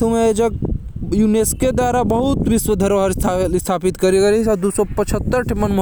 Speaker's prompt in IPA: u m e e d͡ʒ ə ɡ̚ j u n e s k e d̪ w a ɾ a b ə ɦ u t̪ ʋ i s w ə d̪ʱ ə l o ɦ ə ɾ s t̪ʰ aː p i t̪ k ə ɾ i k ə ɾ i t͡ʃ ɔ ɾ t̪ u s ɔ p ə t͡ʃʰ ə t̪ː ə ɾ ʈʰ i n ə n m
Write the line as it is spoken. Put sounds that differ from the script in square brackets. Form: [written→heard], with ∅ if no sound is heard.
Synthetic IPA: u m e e d͡ʒ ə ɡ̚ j u n e s k e d̪ w a ɾ a b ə ɦ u t̪ ʋ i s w ə d̪ʱ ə [l→ɾ] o ɦ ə ɾ s t̪ʰ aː p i t̪ k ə ɾ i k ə ɾ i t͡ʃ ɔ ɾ [t̪→d̪] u s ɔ p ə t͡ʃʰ ə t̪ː ə ɾ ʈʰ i [n→m] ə n m